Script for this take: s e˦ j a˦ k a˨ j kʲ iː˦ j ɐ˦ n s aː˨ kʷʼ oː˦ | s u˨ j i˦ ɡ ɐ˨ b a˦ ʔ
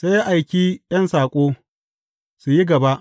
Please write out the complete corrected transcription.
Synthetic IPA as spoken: s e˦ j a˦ ʔ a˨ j kʲ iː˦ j ɐ˦ n s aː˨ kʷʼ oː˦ | s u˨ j i˦ ɡ ɐ˨ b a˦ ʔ